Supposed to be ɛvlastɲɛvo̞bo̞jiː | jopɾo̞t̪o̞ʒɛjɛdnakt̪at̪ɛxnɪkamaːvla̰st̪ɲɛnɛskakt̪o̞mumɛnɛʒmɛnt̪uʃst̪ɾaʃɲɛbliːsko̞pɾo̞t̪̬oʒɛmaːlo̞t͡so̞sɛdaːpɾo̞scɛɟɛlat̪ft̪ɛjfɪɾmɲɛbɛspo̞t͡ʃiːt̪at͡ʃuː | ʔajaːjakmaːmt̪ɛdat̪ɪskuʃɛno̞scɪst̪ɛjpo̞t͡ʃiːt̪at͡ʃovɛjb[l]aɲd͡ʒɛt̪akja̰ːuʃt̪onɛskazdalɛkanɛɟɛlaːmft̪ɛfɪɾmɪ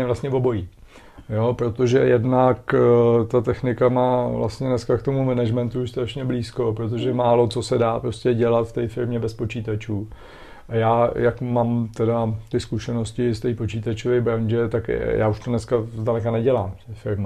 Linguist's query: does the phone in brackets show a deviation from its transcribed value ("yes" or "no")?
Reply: yes